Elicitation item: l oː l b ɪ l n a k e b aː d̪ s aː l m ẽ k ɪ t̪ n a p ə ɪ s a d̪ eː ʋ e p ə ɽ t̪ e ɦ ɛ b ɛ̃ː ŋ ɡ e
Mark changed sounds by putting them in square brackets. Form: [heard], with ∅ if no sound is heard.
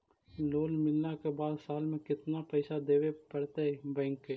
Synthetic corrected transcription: l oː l [m] ɪ l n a k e b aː d̪ s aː l m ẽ k ɪ t̪ n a p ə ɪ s a d̪ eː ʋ e p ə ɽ t̪ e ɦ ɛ b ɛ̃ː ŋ [k] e